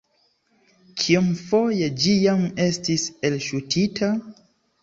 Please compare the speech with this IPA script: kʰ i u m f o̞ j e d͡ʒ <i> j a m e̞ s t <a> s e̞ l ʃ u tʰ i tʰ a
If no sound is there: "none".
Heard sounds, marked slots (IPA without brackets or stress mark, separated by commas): i, i